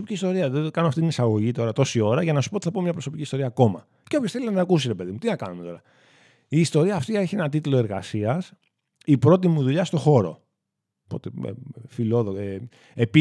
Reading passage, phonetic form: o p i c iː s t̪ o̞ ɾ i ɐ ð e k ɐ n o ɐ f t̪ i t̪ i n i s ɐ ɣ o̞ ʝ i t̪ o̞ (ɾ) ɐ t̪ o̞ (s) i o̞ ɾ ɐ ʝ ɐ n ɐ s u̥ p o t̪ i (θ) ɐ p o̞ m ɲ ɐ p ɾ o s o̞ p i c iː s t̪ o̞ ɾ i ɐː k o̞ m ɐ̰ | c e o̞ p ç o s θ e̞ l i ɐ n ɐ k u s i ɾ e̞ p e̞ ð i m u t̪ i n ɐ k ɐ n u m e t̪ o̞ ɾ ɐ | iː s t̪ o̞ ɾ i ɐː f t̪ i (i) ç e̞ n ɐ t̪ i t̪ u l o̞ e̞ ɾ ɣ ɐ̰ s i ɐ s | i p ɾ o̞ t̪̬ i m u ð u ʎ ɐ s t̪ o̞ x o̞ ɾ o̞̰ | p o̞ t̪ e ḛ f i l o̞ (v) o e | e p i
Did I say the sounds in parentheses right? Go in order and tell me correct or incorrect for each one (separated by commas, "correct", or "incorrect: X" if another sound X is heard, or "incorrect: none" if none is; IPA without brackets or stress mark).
correct, correct, correct, incorrect: e, incorrect: ð